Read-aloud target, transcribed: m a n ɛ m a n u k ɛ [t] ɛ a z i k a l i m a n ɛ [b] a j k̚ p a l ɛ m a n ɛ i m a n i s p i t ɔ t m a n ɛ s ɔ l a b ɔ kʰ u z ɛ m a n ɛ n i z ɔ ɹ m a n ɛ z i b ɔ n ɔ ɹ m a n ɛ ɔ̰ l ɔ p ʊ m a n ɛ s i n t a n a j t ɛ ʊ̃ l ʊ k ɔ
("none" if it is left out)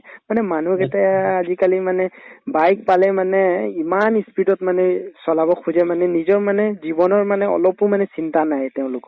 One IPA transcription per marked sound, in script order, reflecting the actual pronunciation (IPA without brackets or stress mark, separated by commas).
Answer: t, b